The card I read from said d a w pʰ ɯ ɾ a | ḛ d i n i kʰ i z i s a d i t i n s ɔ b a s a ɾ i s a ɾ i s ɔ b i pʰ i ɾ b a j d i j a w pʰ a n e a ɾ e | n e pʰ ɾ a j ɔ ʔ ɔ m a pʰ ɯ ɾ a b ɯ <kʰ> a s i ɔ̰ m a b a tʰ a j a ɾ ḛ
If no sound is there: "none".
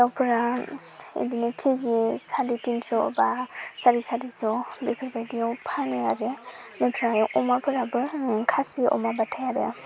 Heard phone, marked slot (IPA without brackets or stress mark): kʰ